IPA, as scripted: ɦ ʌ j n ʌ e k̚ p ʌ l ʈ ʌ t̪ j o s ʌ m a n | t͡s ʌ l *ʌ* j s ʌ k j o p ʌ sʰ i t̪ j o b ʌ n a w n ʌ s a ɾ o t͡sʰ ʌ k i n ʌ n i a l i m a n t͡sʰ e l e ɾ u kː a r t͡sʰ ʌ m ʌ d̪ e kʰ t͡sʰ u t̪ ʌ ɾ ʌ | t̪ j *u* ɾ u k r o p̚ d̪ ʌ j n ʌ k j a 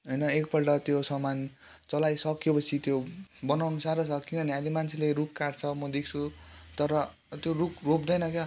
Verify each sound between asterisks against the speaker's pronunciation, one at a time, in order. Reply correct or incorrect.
incorrect, incorrect

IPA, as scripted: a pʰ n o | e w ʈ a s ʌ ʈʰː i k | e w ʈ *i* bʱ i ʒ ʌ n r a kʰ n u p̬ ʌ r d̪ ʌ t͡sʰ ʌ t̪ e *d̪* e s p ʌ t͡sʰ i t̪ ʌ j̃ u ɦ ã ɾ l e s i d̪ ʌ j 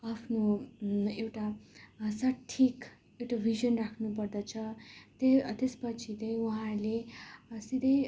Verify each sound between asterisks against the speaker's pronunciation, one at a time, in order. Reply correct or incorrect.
incorrect, incorrect

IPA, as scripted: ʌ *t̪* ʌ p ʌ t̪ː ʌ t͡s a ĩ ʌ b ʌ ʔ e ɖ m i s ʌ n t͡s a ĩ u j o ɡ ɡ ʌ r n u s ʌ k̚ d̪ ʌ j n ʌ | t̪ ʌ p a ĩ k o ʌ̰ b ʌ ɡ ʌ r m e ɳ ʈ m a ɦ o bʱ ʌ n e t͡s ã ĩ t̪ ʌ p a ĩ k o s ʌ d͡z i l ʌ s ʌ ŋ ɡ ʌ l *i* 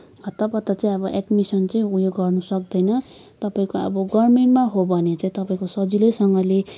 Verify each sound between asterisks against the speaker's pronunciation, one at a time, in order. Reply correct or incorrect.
correct, incorrect

